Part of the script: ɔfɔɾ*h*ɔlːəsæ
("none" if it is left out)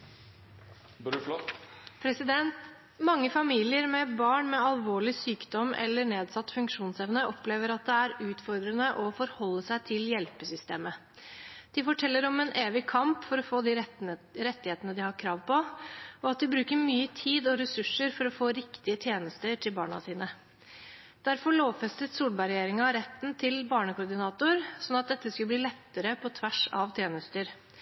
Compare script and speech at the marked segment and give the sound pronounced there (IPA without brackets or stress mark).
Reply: h